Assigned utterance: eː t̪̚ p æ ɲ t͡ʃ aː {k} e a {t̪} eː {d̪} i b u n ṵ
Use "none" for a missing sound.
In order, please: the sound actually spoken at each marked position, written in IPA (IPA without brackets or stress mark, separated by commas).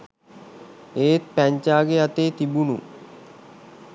ɡ, t̪, t̪